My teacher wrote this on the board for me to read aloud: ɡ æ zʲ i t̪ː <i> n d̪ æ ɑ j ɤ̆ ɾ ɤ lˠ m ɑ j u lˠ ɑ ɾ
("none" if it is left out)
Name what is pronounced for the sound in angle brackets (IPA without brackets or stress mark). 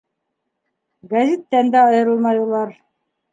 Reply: æ